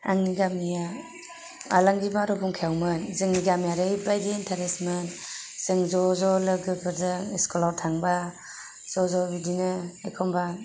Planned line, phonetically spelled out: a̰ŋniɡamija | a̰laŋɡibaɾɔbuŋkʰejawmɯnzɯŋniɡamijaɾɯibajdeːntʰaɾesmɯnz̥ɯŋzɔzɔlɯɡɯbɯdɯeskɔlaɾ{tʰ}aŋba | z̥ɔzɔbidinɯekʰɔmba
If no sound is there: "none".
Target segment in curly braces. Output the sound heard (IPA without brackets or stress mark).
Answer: tʰ